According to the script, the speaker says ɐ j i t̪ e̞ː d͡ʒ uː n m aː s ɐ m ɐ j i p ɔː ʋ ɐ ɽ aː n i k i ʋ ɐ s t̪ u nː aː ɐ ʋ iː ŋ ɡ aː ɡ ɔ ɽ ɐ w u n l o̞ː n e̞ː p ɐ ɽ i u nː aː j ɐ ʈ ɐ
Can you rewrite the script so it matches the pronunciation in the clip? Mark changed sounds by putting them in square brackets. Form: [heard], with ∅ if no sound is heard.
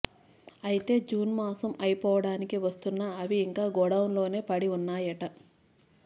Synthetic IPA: ɐ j i t̪ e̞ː d͡ʒ uː n m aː s ɐ m ɐ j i p ɔː ʋ ɐ ɽ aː n i k i ʋ ɐ s t̪ u nː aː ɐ ʋ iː ŋ [k] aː ɡ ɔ ɽ ɐ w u n l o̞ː n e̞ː p ɐ ɽ i u nː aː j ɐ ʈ ɐ